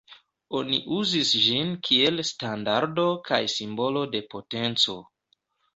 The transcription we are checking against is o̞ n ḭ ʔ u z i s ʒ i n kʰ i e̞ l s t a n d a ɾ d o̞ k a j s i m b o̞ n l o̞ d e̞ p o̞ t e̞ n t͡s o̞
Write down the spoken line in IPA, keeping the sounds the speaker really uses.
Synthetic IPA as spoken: o̞ n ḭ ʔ u z i s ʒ i n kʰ i e̞ l s t a n d a ɾ d o̞ k a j s i m b o̞ l o̞ d e̞ p o̞ t e̞ n t͡s o̞